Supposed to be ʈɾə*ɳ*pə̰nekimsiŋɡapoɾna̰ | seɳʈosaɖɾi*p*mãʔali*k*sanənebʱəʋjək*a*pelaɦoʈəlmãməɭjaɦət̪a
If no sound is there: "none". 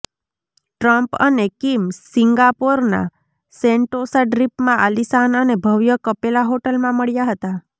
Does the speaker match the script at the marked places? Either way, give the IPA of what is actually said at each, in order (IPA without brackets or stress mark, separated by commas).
m, p, none, ə